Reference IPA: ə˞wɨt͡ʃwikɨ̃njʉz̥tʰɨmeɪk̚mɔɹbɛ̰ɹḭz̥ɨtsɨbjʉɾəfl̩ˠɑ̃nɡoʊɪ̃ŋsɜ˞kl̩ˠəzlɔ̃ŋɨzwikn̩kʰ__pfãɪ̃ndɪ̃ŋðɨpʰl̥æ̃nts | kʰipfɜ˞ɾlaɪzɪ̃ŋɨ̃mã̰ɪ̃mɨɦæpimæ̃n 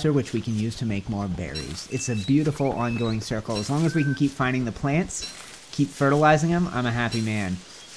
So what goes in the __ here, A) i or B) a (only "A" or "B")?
A